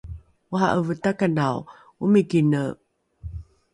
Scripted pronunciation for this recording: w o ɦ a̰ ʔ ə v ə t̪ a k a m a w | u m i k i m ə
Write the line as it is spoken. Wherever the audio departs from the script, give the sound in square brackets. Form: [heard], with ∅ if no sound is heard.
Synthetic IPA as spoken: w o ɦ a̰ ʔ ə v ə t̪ a k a [n] a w | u m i k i [n] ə